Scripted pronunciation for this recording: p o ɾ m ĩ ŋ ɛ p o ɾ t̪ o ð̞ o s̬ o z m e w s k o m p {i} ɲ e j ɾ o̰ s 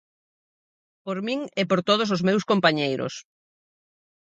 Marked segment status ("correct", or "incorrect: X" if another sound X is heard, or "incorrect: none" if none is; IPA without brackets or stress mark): incorrect: a